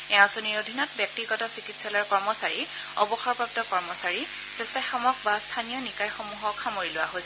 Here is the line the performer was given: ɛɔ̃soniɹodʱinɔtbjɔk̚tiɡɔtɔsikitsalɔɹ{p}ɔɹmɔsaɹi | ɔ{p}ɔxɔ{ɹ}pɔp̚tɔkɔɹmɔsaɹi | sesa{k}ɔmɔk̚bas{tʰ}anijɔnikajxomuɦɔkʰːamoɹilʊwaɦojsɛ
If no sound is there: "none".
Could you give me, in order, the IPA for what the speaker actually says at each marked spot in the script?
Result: k, b, ɹ, x, tʰ

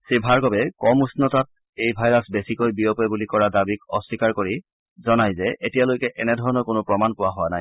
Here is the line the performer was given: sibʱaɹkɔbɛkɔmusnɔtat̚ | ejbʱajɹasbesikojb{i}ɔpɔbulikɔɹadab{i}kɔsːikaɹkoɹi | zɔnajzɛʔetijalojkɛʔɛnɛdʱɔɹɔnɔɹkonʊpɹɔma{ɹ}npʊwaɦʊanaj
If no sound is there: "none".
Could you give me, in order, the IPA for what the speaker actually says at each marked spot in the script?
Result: i, i, none

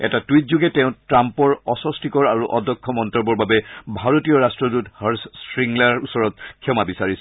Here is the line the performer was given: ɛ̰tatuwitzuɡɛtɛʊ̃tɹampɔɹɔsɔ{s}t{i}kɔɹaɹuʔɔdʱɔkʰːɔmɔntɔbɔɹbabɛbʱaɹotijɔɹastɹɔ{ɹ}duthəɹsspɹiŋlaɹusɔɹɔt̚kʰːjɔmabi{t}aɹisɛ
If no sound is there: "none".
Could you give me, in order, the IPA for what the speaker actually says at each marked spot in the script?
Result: s, i, none, s

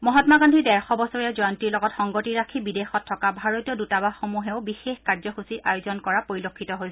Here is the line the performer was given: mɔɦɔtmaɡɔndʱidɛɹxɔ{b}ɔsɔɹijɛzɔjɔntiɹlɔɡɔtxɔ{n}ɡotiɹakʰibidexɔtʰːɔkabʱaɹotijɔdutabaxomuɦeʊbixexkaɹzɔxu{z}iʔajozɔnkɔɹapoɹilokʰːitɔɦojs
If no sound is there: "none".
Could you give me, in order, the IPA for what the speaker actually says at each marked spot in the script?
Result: b, ŋ, s

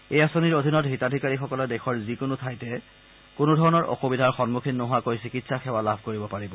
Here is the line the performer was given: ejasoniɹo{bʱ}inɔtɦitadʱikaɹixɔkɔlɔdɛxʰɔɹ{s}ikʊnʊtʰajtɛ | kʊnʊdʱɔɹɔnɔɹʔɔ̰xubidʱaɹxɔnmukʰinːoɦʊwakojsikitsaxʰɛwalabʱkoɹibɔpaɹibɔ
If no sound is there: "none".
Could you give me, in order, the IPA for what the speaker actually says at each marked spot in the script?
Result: dʱ, z

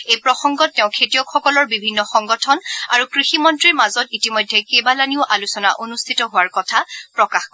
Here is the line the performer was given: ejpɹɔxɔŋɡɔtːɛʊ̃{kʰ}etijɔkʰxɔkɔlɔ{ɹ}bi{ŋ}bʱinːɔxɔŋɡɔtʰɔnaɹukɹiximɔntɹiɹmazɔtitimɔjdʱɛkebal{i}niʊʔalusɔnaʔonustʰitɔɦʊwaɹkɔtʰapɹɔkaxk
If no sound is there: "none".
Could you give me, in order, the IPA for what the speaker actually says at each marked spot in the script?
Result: kʰ, ɹ, none, a

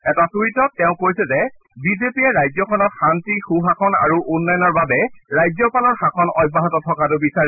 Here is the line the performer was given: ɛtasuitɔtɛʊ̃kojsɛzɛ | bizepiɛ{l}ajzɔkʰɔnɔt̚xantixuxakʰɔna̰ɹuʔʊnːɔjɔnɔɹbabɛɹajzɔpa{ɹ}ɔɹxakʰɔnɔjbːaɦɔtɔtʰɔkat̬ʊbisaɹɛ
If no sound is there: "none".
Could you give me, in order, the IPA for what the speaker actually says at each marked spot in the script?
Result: ɹ, l

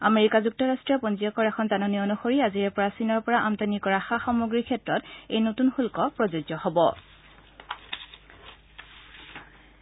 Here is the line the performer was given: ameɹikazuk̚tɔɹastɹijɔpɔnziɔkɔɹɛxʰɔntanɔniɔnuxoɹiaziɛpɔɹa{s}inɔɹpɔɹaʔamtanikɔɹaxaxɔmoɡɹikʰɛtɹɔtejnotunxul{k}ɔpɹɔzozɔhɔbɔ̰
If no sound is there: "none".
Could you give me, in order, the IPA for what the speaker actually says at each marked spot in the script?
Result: s, k

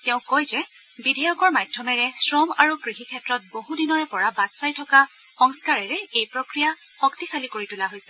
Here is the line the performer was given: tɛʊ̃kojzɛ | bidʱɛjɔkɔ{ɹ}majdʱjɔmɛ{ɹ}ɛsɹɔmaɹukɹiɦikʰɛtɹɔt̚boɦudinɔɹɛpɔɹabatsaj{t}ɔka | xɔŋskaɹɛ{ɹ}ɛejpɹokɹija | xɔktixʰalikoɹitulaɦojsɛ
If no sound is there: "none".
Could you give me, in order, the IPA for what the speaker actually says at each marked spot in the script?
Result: ɹ, ɹ, tʰ, ɹ

